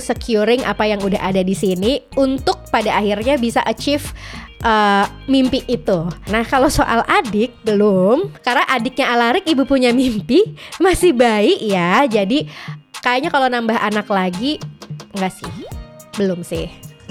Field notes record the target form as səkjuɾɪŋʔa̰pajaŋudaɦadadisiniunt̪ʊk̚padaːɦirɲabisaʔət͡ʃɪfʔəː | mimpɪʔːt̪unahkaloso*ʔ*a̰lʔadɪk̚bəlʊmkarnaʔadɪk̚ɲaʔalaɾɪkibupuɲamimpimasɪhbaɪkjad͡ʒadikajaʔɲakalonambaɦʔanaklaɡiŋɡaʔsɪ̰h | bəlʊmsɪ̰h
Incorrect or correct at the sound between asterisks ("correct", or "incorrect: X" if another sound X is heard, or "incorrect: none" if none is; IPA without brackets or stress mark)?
correct